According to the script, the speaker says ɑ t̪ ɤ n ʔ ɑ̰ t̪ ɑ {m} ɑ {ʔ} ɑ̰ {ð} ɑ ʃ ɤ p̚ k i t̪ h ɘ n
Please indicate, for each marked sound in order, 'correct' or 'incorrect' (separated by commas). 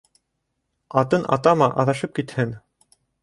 correct, correct, correct